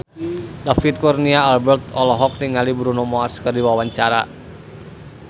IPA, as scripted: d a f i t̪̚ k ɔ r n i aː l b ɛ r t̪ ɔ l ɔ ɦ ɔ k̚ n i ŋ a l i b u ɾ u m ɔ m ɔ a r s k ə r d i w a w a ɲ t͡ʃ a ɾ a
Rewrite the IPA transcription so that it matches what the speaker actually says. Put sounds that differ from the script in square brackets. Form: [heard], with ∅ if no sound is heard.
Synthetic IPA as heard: d a f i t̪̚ k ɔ r n i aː l b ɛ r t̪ ɔ l ɔ ɦ ɔ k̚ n i ŋ a l i b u ɾ u [n] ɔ m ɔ a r s k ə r d i w a w a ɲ t͡ʃ a ɾ a